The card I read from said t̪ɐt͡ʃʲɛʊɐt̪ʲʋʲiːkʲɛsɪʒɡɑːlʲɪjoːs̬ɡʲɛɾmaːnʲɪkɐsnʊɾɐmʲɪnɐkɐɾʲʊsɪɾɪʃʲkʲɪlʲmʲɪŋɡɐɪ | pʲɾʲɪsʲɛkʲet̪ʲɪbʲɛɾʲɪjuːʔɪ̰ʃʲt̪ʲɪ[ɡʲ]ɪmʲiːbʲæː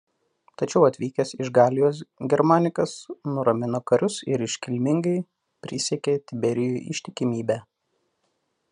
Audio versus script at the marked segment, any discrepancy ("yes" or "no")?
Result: yes